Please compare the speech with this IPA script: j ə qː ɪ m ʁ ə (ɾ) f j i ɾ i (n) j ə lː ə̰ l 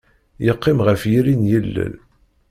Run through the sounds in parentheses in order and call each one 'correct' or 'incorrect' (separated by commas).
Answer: incorrect, correct